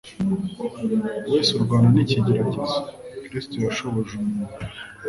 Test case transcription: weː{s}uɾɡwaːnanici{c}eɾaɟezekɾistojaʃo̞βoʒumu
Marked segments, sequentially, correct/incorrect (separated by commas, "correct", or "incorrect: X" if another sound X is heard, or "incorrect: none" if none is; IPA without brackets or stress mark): correct, incorrect: ɟ